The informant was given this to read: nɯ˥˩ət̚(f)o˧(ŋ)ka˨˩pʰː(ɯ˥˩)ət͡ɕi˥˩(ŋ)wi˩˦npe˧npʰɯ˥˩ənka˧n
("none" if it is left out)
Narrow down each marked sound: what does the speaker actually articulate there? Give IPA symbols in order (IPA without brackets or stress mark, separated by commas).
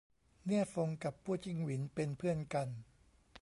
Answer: f, ŋ, u˥˩, ŋ